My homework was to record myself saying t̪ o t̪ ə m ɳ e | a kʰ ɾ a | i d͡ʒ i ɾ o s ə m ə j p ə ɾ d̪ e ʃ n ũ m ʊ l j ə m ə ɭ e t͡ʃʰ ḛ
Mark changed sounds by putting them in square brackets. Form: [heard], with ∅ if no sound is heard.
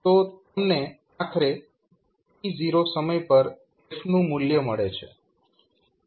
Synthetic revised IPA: t̪ o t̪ ə m [n] e | a kʰ ɾ [e] | i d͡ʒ i ɾ o s ə m ə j p ə ɾ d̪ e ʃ n ũ m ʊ l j ə m ə ɭ e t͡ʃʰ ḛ